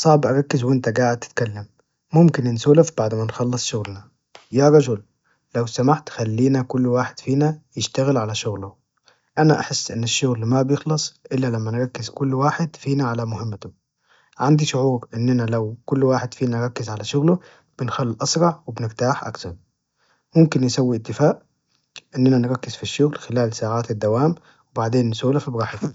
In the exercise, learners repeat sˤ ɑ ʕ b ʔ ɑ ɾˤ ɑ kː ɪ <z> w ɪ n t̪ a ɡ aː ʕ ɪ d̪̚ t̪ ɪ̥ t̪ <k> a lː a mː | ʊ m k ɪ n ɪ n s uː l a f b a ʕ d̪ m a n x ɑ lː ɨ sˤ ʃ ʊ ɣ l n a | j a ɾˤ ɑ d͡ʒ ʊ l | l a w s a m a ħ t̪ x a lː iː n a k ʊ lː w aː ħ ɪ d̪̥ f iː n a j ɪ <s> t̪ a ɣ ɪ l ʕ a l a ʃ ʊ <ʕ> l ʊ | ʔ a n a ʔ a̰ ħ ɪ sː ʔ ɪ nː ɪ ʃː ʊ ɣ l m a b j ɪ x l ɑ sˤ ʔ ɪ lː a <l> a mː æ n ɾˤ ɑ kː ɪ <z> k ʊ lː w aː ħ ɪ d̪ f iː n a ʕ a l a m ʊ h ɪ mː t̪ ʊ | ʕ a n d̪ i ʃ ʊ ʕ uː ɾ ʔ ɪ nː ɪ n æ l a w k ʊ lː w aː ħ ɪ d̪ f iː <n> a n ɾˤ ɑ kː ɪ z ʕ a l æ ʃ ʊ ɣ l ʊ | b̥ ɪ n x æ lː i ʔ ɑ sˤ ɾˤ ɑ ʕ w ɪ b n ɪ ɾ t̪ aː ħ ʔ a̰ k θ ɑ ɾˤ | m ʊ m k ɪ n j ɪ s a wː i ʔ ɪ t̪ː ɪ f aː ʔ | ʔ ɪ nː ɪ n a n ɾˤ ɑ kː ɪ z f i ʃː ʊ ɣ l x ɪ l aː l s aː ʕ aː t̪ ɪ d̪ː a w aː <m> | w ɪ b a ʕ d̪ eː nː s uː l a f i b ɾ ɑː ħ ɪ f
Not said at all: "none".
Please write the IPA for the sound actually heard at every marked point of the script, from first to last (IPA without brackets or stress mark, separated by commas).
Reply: z, k, ʃ, ɣ, l, z, n, m